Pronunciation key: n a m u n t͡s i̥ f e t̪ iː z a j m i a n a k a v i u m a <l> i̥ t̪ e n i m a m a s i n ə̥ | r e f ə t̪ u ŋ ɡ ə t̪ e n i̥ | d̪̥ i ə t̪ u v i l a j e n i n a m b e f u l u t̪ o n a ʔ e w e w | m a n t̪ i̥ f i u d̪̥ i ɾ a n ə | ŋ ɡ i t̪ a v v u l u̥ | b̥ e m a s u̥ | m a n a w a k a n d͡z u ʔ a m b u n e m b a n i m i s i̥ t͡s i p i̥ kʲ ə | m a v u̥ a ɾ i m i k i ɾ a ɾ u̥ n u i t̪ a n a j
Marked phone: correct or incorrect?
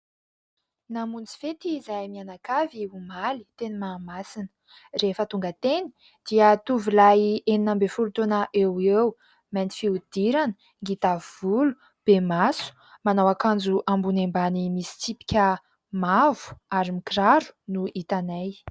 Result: correct